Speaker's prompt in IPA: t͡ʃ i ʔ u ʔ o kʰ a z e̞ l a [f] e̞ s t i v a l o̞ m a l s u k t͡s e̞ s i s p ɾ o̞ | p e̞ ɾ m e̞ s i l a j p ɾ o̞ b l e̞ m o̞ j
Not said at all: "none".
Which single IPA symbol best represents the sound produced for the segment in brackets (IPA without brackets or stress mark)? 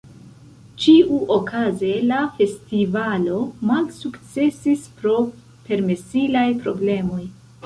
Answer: f